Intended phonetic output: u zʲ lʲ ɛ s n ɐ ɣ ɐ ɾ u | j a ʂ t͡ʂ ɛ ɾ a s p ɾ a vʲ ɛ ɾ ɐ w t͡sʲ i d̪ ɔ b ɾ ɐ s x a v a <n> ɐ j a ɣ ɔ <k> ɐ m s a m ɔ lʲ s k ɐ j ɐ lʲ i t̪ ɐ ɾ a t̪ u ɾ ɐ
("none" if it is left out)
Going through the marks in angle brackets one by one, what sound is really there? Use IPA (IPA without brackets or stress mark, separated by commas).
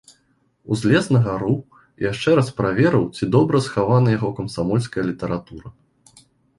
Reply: n, k